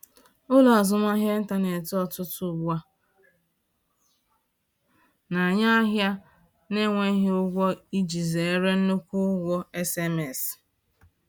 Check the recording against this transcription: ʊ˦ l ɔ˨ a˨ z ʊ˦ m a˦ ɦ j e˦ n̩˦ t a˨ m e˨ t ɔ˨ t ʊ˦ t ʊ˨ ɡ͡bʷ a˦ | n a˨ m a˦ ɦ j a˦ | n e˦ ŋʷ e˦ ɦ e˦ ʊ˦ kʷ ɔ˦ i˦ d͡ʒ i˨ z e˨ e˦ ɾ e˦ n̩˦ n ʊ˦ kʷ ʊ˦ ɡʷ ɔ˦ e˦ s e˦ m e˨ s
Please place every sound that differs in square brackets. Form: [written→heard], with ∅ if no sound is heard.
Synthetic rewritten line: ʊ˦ l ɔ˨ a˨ z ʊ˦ m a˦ ɦ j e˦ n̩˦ t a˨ [m→n] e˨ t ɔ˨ t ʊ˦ t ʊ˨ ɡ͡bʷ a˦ | n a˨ [m→ɲ] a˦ ɦ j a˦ | n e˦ ŋʷ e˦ ɦ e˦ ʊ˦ [kʷ→ɡʷ] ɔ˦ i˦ d͡ʒ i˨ z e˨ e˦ ɾ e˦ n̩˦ n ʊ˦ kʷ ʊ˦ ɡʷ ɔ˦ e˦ s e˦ m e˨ s